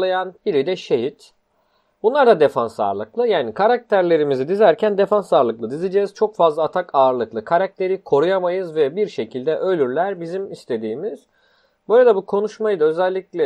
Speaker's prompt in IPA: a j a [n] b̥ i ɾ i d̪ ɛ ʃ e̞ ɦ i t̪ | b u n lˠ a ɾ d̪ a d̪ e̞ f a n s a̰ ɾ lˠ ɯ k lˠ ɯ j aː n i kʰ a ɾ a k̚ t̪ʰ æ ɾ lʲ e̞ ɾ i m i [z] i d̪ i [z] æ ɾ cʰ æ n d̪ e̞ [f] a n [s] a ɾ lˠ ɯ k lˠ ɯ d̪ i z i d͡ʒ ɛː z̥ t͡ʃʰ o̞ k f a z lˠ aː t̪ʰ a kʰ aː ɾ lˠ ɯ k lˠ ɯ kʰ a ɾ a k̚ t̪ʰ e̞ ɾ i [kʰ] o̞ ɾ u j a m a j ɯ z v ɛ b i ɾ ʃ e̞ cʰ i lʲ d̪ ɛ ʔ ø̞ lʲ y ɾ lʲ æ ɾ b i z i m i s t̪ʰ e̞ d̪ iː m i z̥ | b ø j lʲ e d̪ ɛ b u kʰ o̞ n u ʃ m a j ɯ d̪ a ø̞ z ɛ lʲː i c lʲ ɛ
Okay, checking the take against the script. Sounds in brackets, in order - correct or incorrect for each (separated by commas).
correct, correct, correct, correct, correct, correct